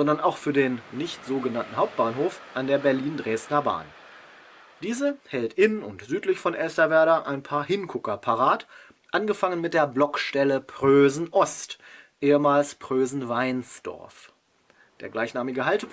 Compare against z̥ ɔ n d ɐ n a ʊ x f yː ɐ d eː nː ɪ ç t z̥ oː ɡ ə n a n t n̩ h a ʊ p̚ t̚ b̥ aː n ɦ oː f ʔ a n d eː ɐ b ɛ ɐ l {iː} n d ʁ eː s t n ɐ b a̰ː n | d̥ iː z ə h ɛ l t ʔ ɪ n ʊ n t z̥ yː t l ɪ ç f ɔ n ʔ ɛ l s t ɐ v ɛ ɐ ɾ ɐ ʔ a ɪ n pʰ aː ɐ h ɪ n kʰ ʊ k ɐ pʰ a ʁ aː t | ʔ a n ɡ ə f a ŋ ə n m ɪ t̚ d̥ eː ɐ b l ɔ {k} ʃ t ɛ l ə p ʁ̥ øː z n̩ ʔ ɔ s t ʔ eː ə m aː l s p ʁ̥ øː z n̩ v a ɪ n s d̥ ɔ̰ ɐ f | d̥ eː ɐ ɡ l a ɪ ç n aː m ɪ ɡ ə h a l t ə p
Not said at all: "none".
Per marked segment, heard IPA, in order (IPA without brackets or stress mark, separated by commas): iː, k